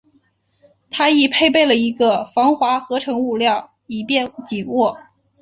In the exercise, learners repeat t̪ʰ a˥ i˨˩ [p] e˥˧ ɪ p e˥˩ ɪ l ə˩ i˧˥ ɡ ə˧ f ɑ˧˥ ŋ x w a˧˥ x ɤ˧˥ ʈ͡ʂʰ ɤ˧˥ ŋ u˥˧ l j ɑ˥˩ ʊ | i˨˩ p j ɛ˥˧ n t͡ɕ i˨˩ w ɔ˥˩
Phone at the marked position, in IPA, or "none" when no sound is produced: pʰ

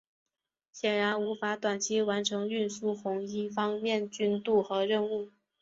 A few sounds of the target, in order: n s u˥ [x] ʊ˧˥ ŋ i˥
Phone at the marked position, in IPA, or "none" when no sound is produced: x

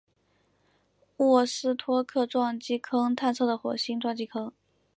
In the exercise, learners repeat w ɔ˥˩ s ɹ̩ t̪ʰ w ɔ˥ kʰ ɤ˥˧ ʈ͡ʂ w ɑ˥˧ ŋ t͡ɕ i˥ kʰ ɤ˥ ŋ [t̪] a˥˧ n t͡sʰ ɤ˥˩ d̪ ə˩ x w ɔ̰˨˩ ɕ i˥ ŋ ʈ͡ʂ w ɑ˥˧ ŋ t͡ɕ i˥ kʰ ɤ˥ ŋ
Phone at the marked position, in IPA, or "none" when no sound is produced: t̪ʰ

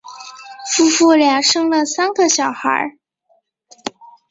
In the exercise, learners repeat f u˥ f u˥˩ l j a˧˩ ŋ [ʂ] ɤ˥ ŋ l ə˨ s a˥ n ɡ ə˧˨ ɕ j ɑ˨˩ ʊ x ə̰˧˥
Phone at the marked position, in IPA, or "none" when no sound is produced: ʂ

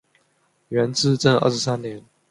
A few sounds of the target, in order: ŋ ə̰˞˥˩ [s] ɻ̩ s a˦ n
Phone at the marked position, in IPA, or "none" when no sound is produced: ʂ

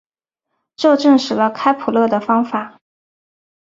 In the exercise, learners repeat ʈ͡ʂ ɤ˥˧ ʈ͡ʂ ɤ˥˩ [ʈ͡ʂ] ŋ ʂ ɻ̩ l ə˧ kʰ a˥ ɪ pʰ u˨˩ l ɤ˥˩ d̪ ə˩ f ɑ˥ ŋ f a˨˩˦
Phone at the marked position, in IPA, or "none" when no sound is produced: none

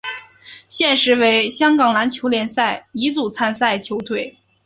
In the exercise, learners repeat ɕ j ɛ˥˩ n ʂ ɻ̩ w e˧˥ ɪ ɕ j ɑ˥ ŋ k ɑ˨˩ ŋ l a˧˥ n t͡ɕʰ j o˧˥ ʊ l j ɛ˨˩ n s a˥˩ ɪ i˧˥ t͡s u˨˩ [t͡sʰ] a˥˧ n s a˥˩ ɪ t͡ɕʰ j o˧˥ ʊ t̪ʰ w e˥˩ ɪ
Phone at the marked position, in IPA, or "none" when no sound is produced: t͡sʰ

